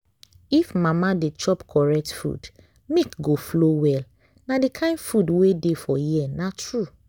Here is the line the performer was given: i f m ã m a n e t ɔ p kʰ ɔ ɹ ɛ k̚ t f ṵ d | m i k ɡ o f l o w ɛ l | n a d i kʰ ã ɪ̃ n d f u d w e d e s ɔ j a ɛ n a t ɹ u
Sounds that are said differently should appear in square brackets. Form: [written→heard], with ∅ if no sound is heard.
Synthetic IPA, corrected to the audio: i f m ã m a [n→d] e [t→t͡ʃ] ɔ p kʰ ɔ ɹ ɛ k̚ t f ṵ d | m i k ɡ o f l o w ɛ l | n a d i kʰ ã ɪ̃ n d f u d w e d e [s→f] ɔ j [a→i] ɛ n a t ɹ u